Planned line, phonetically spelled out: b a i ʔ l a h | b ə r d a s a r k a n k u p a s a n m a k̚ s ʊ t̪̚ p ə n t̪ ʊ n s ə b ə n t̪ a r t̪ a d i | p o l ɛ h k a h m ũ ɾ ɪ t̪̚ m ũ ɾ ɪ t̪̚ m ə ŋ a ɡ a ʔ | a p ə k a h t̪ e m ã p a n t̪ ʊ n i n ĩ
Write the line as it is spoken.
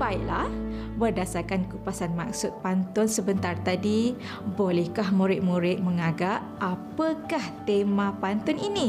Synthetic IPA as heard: b a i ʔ l a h | b ə r d a s a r k a n k u p a s a n m a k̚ s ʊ t̪̚ p a n t̪ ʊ n s ə b ə n t̪ a r t̪ a d i | b o l ɛ h k a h m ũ ɾ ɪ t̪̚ m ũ ɾ ɪ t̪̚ m ə ŋ a ɡ a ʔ | a p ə k a h t̪ e m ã p a n t̪ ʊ n i n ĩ